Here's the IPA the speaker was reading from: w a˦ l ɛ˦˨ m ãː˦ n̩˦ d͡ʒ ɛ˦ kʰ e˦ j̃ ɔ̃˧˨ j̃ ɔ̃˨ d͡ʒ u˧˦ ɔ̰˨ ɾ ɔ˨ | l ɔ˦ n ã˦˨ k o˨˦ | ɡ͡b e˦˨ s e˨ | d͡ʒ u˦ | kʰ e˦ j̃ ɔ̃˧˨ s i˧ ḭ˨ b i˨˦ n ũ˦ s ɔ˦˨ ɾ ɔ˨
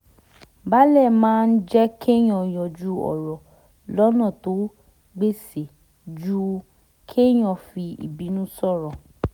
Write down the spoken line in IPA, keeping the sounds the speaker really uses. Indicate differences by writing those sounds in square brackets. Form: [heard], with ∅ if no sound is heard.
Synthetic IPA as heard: [b] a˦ l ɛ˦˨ m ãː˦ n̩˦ d͡ʒ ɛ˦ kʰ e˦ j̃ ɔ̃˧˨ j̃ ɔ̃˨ d͡ʒ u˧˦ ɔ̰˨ ɾ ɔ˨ | l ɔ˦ n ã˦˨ [t] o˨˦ | ɡ͡b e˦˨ s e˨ | d͡ʒ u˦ | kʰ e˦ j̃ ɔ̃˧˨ [f] i˧ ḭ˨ b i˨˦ n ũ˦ s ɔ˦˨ ɾ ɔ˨